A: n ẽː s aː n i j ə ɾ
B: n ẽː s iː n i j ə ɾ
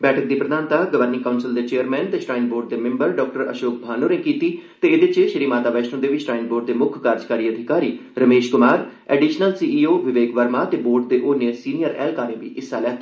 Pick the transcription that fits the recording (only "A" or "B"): B